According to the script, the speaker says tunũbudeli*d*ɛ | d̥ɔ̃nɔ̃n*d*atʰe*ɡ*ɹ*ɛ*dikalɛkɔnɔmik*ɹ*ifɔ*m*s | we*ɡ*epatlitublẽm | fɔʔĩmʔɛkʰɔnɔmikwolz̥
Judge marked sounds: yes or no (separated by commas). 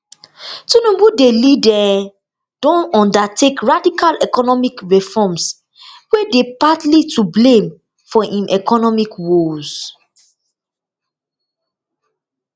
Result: yes, yes, no, no, yes, yes, no